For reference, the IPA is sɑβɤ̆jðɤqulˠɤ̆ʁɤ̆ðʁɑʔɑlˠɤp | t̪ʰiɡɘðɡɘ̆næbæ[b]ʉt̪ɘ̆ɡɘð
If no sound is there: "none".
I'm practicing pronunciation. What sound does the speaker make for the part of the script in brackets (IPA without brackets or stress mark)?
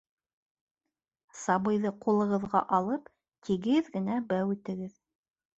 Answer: w